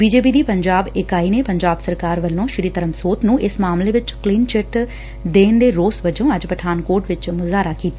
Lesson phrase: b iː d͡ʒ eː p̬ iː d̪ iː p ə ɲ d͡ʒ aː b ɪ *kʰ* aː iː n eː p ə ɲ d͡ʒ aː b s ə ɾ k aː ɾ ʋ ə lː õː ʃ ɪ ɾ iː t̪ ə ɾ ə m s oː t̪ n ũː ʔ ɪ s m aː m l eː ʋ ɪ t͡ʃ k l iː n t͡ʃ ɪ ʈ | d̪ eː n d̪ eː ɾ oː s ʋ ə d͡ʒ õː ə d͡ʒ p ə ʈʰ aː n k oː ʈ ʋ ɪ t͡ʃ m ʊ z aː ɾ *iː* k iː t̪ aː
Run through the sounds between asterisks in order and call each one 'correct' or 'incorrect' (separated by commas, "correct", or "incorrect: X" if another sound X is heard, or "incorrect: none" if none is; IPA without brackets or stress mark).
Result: incorrect: k, incorrect: aː